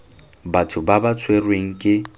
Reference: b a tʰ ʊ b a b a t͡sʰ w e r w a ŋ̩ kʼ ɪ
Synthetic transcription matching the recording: b a tʰ ʊ b a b a t͡sʰ w e r w e ŋ̩ kʼ ɪ